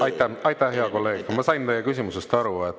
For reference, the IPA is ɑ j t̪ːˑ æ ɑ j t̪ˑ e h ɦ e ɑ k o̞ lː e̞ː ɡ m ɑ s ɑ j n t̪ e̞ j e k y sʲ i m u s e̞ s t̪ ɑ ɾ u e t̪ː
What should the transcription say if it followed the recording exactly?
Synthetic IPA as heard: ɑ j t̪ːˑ æ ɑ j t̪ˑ æ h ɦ e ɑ k o̞ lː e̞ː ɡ m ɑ s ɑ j n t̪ e̞ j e k y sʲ i m u s e̞ s t̪ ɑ ɾ u e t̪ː